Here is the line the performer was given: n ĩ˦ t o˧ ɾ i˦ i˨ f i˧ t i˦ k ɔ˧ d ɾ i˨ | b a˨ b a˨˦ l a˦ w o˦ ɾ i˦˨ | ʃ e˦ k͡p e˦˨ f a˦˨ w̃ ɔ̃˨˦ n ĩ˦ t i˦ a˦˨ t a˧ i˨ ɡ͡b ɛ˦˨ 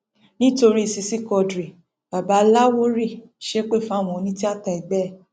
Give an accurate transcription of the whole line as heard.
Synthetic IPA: n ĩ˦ t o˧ ɾ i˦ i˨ s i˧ s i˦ k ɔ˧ d ɾ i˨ | b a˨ b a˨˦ l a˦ w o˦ ɾ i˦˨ | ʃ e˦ k͡p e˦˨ f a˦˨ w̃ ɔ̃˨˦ n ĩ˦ t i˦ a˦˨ t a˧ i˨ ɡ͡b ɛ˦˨